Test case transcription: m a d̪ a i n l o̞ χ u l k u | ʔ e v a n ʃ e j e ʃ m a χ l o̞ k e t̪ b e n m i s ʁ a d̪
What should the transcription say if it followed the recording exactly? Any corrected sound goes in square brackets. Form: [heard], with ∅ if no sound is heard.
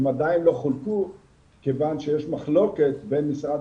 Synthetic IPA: m a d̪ a i n l o̞ χ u l k u | [k] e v a n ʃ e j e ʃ m a χ l o̞ k e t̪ b e n m i s ʁ a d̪